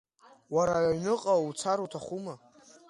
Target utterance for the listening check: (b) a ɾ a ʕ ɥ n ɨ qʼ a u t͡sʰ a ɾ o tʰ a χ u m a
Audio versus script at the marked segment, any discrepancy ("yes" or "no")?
yes